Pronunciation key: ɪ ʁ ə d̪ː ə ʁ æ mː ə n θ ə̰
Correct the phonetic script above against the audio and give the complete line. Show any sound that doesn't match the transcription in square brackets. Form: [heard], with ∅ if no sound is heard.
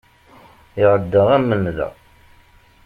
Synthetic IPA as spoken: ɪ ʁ ə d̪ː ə ʁ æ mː ə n [ð] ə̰

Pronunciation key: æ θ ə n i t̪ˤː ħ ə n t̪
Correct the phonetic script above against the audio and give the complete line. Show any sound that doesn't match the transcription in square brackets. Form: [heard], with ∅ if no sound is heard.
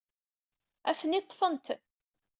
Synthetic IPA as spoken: æ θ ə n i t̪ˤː [f] ə n t̪

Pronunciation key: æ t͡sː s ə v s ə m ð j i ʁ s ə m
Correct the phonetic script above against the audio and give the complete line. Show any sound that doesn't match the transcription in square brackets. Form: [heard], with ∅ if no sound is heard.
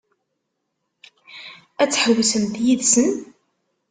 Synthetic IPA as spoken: æ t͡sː [ħ] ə [w] s ə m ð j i [ð] s ə [n]

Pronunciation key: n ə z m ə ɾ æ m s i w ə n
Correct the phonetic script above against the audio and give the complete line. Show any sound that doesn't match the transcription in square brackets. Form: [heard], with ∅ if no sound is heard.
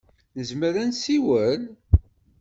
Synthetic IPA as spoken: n ə z m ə ɾ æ [n] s i w ə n

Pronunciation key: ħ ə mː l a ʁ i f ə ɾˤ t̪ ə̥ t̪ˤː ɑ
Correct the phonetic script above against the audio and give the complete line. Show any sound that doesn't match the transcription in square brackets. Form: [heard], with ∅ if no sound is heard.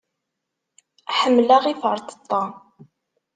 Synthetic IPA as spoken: ħ ə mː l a ʁ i f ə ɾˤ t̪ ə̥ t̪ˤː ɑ

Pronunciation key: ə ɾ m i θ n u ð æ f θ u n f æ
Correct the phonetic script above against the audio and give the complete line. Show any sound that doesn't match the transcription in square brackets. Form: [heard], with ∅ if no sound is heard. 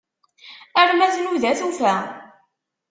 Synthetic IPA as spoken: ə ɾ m [æ] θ n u ð æ [∅] θ u [∅] f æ

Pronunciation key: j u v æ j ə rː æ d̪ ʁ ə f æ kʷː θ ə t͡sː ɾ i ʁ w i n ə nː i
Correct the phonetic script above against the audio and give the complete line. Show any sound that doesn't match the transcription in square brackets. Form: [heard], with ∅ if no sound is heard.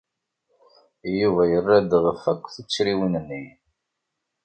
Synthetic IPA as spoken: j u v æ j ə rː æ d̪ ʁ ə f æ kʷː θ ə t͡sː ɾ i [∅] w i n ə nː i

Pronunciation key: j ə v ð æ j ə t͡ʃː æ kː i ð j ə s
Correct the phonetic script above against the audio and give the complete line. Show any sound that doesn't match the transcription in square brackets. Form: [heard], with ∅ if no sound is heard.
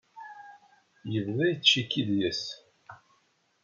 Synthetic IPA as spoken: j ə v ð æ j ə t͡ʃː [i] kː i ð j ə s

